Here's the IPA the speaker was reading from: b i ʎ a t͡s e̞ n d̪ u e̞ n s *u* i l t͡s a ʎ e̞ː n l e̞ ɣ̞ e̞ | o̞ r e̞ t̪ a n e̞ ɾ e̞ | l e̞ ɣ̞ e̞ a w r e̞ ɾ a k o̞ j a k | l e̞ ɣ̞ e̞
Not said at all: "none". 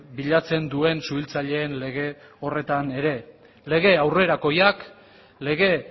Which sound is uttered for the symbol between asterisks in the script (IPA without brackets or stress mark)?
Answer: u